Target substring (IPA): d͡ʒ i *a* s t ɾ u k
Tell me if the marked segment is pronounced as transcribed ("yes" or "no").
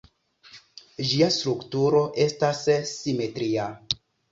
yes